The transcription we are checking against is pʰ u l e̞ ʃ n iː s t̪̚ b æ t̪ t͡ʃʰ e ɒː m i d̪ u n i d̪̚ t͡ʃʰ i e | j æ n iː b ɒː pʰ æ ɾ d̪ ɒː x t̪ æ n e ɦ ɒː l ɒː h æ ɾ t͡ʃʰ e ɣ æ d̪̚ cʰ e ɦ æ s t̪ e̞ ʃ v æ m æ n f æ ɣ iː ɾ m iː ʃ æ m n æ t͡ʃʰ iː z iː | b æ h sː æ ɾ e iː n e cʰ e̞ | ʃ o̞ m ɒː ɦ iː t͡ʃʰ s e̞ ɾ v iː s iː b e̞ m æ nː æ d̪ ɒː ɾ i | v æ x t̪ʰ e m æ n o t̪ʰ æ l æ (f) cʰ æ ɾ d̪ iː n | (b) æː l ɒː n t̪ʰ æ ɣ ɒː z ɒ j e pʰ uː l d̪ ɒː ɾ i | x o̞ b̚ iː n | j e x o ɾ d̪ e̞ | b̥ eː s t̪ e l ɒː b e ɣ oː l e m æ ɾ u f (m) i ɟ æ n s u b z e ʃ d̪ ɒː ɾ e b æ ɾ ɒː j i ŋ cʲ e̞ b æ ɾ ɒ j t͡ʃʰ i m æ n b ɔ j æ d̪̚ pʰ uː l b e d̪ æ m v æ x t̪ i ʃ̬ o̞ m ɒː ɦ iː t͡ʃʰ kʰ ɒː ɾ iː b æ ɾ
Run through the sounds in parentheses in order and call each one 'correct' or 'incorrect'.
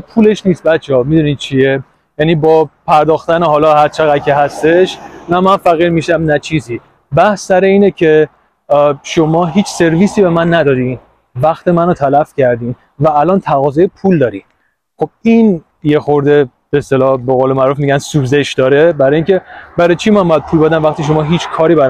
correct, incorrect: v, correct

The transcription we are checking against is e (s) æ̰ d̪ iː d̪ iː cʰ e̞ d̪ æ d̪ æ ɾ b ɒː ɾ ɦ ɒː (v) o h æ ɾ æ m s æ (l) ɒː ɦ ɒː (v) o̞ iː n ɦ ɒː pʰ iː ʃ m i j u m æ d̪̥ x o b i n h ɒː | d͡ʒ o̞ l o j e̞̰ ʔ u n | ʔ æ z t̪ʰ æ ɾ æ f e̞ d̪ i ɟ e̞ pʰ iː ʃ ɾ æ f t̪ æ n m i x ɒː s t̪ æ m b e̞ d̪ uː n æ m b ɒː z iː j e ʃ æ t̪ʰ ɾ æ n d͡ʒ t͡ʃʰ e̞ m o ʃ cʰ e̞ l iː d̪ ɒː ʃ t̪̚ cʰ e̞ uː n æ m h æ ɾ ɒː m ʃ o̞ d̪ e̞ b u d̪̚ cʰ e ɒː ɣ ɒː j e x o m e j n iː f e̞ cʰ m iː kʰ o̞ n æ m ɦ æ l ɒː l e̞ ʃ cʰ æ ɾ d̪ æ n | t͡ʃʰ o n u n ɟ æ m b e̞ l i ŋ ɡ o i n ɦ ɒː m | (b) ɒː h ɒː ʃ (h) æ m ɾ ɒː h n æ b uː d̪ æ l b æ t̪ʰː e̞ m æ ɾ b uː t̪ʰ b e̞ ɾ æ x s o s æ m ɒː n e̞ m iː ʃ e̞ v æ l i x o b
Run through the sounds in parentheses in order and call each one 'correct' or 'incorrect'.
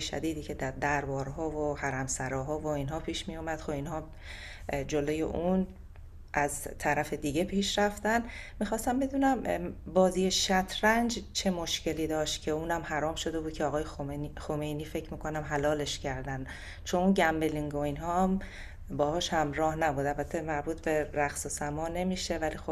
incorrect: ʃ, correct, incorrect: ɾ, correct, correct, correct

